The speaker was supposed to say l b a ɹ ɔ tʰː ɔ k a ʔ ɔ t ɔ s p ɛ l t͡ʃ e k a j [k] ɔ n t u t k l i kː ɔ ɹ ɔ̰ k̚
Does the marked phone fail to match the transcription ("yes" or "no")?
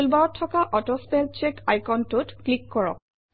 no